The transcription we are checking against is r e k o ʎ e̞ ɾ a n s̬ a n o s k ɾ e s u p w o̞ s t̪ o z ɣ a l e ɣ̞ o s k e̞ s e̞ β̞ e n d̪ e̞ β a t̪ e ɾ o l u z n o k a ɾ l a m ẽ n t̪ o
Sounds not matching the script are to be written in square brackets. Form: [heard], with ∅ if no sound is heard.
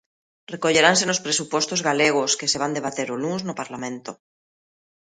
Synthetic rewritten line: r e k o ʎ e̞ ɾ a n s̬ [e] n o s [p] ɾ e s u p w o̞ s t̪ o z ɣ a l e ɣ̞ o s k e̞ s e̞ β̞ [a] n d̪ e̞ β a t̪ e ɾ o l u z n o [p] a ɾ l a m ẽ n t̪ o